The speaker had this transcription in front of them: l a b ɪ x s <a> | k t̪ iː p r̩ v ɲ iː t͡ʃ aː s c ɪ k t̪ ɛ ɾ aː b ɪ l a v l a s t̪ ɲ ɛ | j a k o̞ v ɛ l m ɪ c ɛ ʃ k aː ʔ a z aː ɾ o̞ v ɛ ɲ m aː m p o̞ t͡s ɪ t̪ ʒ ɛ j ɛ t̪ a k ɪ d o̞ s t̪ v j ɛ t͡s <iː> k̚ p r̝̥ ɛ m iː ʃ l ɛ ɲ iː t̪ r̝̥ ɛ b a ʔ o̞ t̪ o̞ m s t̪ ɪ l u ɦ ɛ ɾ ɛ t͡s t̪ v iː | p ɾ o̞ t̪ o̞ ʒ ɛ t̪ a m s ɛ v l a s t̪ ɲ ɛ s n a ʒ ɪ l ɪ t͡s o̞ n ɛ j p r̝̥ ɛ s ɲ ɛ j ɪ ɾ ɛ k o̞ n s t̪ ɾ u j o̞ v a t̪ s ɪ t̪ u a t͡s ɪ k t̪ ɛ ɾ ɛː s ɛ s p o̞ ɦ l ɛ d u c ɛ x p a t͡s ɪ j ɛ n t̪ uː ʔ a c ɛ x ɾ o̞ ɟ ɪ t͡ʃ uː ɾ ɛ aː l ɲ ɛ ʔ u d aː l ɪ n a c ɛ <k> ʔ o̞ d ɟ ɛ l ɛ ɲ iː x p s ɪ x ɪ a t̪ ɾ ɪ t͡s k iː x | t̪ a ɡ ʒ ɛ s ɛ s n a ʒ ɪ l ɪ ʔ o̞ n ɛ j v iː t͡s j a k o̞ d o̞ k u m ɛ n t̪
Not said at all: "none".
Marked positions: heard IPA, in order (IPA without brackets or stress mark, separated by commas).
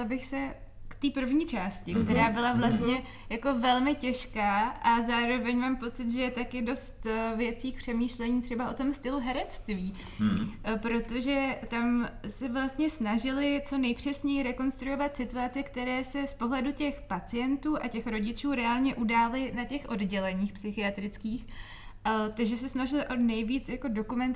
ɛ, iː, x